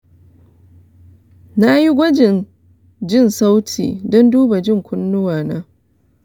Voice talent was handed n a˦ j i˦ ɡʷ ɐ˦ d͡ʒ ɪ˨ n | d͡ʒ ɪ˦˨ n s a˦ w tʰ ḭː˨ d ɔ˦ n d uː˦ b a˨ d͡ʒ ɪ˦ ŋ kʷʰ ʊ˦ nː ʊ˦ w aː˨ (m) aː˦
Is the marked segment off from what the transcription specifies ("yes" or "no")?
yes